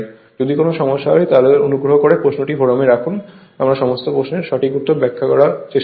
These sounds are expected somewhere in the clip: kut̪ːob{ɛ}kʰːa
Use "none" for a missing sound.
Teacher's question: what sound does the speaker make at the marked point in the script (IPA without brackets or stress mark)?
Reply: ɛ